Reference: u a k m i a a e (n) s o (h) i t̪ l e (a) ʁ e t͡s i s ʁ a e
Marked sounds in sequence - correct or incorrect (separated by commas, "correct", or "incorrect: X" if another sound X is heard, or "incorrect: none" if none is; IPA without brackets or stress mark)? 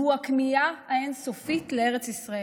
correct, incorrect: f, incorrect: e